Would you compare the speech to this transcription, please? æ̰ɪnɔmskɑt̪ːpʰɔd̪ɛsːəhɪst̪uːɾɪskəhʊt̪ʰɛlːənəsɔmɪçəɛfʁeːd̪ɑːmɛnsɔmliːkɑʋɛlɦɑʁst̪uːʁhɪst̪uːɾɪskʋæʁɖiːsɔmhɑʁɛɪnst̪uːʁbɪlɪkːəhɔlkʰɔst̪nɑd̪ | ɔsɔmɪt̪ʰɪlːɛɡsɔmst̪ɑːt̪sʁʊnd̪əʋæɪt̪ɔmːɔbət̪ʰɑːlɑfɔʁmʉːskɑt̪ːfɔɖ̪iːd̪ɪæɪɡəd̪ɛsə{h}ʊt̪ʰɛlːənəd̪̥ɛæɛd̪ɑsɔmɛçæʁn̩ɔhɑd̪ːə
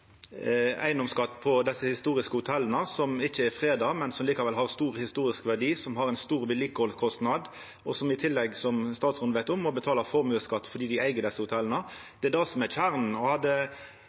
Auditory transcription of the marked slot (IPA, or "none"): h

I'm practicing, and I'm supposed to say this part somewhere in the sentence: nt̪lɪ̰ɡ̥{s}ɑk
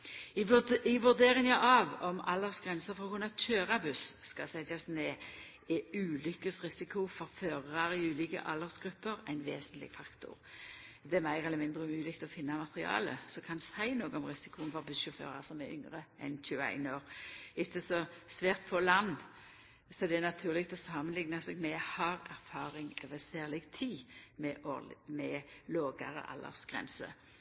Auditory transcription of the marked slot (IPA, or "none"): f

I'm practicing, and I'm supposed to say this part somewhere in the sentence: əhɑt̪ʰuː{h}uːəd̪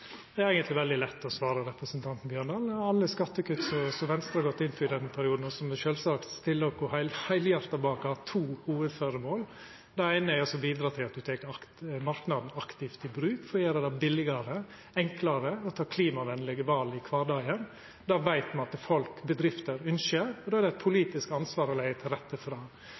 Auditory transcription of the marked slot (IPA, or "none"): h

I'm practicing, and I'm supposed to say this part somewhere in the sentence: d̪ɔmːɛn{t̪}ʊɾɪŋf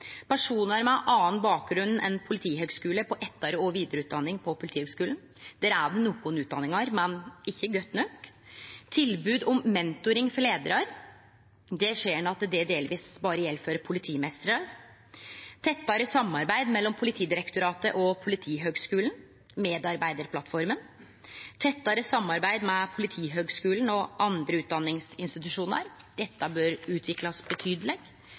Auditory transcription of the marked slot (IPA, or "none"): t̪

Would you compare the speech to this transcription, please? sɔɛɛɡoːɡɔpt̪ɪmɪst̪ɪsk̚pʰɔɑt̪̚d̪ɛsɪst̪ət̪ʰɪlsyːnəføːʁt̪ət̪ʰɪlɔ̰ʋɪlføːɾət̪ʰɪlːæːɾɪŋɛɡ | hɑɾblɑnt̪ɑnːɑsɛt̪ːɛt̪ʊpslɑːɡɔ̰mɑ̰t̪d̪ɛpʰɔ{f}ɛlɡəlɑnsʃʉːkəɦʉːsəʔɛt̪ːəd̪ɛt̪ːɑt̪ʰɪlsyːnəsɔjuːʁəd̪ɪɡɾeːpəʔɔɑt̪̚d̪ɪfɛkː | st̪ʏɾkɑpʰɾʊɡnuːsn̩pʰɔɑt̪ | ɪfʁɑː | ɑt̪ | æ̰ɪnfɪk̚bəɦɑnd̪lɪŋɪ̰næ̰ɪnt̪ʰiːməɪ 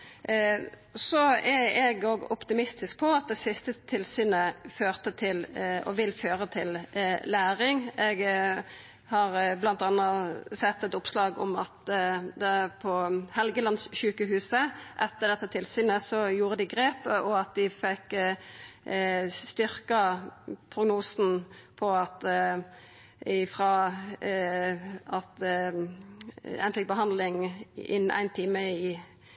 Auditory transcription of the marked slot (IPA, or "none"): h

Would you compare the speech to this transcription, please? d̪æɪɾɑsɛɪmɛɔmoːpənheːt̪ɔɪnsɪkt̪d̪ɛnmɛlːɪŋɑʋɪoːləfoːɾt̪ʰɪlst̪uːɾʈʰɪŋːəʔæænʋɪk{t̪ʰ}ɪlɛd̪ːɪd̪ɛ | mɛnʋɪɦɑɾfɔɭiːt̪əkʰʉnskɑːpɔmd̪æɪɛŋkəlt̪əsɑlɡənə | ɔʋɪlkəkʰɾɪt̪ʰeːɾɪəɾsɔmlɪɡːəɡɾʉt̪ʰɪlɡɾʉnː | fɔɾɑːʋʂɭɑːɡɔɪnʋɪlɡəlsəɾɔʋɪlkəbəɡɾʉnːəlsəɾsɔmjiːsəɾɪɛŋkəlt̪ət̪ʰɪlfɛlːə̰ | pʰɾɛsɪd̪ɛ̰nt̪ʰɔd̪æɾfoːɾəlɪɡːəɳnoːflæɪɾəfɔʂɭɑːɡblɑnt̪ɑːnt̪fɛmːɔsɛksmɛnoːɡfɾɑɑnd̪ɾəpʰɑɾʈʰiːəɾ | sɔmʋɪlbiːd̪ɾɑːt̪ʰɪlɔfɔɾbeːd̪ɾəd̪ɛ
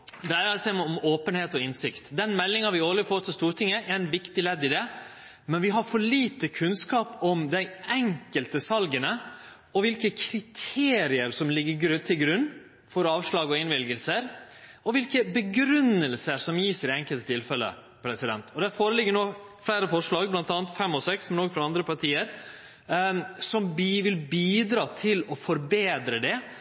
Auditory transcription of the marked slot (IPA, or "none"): t̪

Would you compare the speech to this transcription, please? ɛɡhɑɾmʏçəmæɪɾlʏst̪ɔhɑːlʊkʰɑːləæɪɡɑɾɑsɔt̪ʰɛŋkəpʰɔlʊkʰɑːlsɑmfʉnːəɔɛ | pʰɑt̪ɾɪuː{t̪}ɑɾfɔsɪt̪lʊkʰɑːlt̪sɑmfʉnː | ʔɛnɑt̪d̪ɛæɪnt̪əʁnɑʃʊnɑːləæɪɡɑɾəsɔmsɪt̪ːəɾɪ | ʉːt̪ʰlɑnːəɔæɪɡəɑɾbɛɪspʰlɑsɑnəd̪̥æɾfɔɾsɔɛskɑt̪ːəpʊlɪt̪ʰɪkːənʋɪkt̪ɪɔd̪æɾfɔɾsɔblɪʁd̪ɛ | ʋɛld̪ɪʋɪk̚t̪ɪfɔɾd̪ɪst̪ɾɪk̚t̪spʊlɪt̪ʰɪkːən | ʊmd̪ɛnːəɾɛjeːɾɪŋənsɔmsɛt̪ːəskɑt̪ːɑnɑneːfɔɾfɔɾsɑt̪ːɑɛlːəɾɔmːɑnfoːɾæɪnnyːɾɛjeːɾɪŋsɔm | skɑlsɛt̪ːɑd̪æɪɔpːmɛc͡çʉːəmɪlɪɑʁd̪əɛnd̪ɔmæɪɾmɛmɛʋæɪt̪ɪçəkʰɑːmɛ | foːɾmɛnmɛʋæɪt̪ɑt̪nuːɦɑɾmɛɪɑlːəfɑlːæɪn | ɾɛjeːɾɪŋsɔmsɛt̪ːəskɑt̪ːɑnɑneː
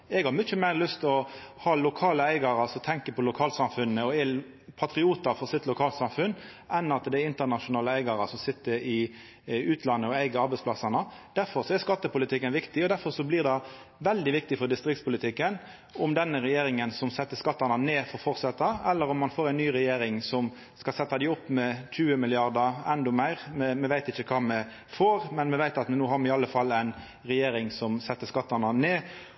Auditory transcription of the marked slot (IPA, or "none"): t̪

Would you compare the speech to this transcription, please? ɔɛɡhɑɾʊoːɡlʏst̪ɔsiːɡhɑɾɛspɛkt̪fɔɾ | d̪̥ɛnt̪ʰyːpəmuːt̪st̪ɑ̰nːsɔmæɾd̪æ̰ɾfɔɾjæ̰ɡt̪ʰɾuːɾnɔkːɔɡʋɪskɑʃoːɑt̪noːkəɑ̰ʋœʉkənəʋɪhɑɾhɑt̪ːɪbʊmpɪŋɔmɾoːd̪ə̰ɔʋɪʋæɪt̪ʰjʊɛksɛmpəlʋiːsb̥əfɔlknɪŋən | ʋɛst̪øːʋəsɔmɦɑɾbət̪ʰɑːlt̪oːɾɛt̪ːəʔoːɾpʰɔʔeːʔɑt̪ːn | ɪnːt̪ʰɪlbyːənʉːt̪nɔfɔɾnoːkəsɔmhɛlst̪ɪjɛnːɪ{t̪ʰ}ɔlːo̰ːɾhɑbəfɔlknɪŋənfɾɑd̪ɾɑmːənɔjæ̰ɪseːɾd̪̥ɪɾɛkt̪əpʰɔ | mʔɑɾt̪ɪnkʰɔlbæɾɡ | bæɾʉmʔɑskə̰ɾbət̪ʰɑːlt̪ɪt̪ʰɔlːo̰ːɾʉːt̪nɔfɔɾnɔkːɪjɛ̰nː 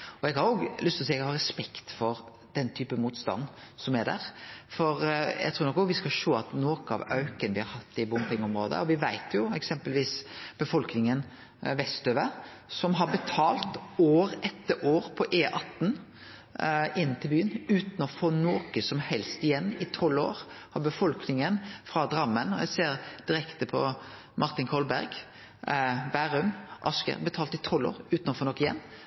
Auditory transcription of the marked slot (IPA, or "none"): t̪ʰ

